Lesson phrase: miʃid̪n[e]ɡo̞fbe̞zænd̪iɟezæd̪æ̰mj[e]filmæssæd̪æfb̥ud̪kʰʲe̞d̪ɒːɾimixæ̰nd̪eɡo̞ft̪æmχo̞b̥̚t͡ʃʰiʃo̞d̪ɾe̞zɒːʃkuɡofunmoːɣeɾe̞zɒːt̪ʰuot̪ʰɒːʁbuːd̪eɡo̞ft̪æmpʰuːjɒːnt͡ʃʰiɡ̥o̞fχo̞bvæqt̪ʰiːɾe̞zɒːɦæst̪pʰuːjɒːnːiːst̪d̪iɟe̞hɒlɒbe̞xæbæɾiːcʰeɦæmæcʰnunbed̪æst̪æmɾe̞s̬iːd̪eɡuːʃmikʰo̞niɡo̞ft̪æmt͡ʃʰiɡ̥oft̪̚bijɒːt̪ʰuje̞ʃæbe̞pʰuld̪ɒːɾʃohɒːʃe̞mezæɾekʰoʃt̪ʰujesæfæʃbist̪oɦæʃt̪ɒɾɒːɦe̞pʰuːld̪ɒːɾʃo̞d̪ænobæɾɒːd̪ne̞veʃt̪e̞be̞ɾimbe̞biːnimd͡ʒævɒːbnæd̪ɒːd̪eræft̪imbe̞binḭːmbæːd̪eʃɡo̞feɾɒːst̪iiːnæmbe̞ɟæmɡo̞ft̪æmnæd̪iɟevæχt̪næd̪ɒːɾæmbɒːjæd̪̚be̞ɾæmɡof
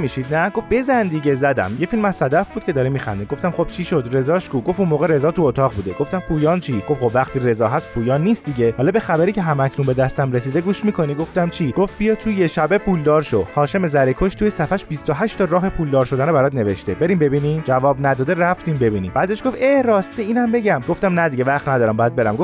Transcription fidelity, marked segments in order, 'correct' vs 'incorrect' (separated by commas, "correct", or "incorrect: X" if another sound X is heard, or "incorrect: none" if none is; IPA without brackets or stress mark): incorrect: æ, correct